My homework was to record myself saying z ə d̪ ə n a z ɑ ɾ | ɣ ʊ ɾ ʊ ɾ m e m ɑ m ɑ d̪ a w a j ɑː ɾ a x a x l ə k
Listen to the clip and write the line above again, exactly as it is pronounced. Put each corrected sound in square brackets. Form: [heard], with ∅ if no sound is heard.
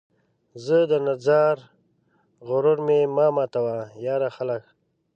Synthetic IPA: z ə d̪ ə n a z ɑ ɾ | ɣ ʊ ɾ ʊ ɾ m e m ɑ m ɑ [t̪] a w a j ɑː ɾ a x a [∅] l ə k